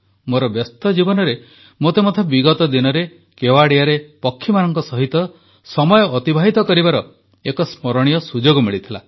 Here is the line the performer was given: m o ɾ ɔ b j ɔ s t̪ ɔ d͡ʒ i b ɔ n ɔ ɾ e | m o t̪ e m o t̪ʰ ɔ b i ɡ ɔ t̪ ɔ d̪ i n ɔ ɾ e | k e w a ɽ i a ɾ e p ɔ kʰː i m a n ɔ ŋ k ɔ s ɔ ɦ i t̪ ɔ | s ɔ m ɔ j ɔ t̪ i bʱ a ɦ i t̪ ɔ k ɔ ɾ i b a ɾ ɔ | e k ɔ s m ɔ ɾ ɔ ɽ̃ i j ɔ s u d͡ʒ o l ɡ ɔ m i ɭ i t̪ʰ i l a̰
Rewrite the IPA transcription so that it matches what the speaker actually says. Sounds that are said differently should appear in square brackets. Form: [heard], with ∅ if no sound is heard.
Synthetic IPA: m o ɾ ɔ b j ɔ s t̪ ɔ d͡ʒ i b ɔ n ɔ ɾ e | m o t̪ e m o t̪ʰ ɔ b i ɡ ɔ t̪ ɔ d̪ i n ɔ ɾ e | k e w a ɽ i a ɾ e p ɔ kʰː i m a n ɔ ŋ k ɔ s ɔ ɦ i t̪ ɔ | s ɔ m ɔ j [ɔː] t̪ i bʱ a ɦ i t̪ ɔ k ɔ ɾ i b a ɾ ɔ | e k ɔ s m ɔ ɾ ɔ ɽ̃ i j ɔ s u d͡ʒ o [∅] ɡ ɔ m i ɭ i t̪ʰ i l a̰